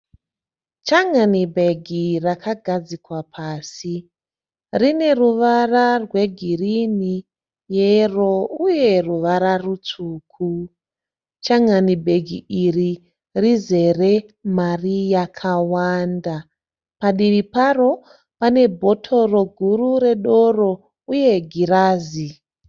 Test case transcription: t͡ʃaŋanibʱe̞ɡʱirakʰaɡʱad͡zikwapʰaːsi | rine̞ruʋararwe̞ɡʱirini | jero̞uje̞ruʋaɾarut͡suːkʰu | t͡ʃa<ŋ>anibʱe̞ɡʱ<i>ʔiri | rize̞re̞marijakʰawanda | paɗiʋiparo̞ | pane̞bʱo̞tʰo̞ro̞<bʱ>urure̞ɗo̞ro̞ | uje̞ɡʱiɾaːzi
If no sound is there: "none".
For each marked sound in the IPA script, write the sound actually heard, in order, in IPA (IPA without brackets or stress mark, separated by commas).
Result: ŋ, i, ɡʱ